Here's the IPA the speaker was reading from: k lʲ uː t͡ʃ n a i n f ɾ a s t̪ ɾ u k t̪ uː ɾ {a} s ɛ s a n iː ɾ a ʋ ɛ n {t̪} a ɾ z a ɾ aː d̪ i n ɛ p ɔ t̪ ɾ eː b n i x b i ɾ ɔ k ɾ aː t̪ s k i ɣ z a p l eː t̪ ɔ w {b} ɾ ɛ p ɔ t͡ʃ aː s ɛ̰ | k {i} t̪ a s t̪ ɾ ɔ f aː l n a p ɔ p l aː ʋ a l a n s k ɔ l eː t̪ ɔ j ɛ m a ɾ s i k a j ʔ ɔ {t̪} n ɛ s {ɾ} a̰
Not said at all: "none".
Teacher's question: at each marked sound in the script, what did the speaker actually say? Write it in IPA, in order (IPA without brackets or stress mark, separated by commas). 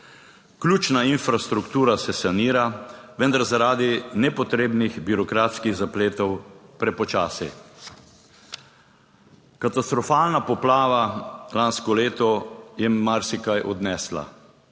a, d̪, p, a, d̪, l